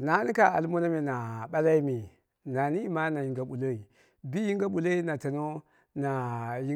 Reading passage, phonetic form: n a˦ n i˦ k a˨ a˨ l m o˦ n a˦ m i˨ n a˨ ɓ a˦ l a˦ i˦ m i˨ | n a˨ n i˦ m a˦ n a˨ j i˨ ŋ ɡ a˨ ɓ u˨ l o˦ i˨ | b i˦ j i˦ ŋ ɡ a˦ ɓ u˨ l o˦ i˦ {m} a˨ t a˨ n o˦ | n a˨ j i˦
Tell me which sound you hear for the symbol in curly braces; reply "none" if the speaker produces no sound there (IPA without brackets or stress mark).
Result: n